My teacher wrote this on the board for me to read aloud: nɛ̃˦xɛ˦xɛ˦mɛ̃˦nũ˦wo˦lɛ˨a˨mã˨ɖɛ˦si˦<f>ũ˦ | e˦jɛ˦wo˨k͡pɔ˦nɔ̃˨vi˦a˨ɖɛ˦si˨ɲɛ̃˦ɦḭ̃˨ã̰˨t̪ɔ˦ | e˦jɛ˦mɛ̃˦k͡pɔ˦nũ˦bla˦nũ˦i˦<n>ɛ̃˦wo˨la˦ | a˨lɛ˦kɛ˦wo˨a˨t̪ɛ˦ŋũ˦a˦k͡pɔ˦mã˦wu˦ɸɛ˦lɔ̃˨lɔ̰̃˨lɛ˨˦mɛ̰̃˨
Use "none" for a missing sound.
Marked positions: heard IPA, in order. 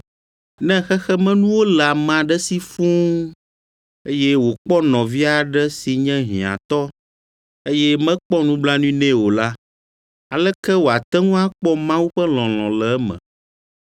f, n

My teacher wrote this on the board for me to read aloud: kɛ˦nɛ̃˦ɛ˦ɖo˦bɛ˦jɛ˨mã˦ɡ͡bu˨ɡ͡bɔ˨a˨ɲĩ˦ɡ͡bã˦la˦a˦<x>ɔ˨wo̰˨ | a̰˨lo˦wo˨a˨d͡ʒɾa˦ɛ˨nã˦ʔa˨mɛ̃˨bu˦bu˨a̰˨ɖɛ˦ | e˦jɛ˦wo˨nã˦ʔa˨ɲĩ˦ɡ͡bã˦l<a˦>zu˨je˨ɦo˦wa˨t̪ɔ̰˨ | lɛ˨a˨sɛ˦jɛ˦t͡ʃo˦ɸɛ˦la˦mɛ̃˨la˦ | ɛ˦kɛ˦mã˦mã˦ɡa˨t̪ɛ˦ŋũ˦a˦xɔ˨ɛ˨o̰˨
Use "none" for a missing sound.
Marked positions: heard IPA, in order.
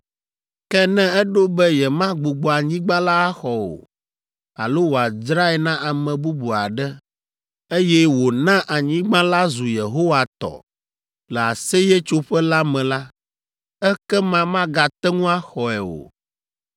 x, a˦

